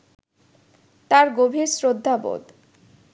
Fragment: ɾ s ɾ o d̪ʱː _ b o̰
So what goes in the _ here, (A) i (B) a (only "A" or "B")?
B